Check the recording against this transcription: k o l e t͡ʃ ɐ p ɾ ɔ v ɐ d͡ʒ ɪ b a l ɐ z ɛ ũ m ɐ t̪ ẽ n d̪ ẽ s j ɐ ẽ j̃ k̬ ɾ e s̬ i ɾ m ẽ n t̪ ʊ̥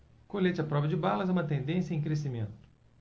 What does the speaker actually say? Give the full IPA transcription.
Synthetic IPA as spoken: k o l e t͡ʃ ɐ p ɾ ɔ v ɐ d͡ʒ ɪ b a l ɐ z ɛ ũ m ɐ t̪ ẽ n d̪ ẽ s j ɐ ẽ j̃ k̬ ɾ e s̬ i m ẽ n t̪ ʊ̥